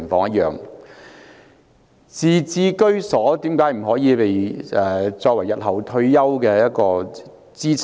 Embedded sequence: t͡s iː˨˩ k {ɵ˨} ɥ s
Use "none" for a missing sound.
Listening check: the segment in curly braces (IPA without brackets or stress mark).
ɵ˥